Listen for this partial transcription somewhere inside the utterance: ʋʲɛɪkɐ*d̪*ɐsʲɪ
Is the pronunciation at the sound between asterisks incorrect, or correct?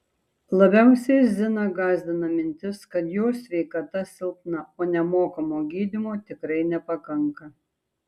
incorrect